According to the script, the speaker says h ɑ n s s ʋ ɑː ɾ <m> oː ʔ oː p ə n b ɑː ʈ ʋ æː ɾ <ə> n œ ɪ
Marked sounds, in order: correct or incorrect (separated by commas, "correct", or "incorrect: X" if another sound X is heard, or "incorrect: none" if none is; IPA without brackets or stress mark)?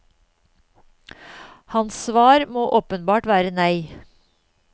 correct, correct